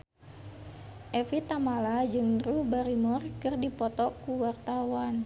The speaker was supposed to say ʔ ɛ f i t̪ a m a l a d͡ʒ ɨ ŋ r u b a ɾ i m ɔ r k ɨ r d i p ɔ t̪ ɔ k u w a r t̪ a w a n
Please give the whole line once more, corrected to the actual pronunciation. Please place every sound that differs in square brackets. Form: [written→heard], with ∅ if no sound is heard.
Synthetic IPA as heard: ʔ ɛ f i t̪ a m a l a d͡ʒ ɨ ŋ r u b a ɾ i m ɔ r k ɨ r d i p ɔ t̪ ɔ k u w a r t̪ a w a n